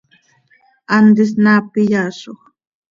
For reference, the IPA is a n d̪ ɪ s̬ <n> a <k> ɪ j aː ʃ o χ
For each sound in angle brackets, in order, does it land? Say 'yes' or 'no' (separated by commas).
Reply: yes, no